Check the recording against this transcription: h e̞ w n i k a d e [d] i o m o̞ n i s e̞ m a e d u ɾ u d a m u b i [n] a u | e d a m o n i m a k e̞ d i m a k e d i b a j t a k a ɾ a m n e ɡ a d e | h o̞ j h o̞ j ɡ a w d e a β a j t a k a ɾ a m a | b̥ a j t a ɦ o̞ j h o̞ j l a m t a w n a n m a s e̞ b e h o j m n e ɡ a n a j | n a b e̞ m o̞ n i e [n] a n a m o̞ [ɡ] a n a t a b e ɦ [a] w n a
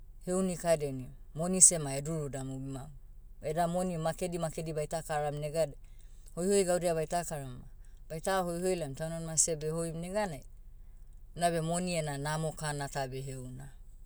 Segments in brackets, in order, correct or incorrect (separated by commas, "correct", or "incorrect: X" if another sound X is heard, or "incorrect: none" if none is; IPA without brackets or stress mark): incorrect: n, incorrect: m, correct, incorrect: k, incorrect: e